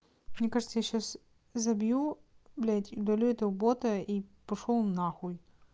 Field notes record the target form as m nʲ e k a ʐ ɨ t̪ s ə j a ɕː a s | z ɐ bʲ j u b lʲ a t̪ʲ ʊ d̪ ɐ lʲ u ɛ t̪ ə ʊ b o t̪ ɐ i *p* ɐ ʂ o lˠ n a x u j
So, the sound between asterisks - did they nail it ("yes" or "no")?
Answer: yes